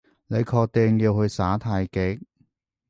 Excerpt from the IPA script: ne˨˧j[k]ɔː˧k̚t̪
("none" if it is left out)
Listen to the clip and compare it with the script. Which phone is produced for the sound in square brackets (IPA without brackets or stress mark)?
kʰ